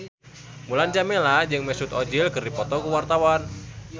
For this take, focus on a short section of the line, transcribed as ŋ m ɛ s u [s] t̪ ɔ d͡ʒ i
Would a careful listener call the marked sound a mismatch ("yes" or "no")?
yes